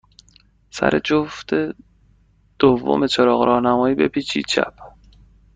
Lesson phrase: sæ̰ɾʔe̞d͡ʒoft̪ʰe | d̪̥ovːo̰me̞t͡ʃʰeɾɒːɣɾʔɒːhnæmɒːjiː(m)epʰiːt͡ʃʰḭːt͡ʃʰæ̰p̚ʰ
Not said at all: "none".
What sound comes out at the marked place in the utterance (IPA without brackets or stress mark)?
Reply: b